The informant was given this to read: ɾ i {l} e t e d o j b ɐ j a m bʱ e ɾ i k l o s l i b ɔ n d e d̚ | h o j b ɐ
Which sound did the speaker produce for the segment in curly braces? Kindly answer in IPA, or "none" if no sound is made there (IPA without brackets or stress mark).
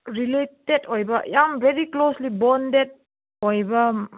l